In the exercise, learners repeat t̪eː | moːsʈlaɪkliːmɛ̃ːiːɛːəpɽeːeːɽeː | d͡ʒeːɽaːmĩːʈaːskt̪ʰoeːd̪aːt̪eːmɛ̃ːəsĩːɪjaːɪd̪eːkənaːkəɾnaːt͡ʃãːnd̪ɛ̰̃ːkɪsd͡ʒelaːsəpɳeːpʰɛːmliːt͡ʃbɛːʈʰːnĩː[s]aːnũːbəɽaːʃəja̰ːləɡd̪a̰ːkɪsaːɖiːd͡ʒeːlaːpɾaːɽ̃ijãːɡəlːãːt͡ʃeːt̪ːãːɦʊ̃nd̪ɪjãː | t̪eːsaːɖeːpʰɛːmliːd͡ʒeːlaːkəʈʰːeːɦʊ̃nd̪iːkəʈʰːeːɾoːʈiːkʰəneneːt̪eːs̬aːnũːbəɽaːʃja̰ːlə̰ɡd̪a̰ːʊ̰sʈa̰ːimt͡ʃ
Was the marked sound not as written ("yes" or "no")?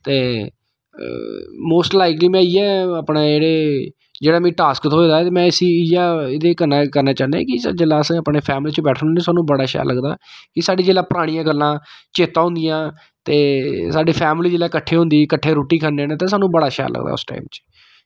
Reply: no